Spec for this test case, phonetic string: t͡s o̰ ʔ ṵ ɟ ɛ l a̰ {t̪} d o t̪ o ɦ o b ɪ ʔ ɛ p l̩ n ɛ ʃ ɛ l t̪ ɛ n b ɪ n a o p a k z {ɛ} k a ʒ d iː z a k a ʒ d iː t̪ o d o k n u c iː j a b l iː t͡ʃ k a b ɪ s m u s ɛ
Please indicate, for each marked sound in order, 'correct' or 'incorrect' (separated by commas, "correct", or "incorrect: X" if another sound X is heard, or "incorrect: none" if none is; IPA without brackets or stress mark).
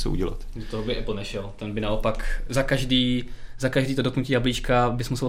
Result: correct, incorrect: a